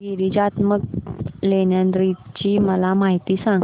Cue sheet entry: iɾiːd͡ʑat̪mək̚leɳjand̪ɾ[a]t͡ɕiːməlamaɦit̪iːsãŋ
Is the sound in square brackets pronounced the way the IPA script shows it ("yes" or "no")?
no